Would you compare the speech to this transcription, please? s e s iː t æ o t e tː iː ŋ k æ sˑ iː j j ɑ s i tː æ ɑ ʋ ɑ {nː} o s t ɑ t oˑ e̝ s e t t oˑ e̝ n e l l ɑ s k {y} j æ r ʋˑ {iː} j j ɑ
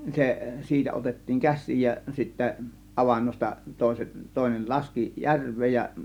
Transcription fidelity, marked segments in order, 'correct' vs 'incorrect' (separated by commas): correct, incorrect, incorrect